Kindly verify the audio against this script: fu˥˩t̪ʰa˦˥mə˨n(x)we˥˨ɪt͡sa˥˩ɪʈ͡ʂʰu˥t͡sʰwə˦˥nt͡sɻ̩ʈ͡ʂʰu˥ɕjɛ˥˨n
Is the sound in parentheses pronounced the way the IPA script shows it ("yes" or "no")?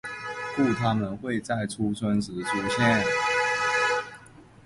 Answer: yes